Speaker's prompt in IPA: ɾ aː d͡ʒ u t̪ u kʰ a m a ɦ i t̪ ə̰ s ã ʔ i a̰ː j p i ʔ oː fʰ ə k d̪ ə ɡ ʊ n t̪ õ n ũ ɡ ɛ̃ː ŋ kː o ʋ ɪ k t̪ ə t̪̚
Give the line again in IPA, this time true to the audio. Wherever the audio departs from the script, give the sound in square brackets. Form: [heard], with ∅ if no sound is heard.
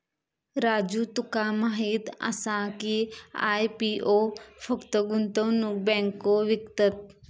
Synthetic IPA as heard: ɾ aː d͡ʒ u t̪ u [k] a m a ɦ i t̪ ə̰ s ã [k] i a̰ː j p i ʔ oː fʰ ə k [t̪] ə ɡ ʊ n t̪ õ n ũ [b] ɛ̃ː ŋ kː o ʋ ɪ k t̪ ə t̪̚